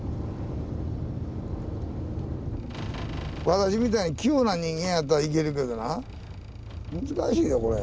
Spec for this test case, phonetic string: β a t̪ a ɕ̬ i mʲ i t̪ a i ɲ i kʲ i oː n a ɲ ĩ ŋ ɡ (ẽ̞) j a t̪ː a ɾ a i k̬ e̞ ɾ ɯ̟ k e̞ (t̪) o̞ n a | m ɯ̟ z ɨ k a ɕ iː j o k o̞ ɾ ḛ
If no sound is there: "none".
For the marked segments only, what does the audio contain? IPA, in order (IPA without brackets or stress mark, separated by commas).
ẽ̞, d̪